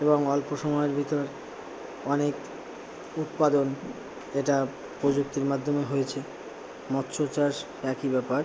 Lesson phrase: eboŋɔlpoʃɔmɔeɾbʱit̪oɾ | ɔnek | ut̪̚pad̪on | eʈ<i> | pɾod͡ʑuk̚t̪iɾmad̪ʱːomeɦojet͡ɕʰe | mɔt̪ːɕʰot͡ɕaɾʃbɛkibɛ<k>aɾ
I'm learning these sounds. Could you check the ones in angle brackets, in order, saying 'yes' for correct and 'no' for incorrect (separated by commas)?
no, no